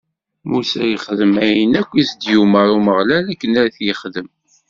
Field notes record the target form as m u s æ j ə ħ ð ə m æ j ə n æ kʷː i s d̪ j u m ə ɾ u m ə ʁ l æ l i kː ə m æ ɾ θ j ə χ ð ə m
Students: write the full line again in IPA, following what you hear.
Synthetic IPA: m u s æ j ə χ ð ə m æ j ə n æ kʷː i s d̪ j u m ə ɾ u m ə ʁ l æ l æ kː ə n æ ɾ θ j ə χ ð ə m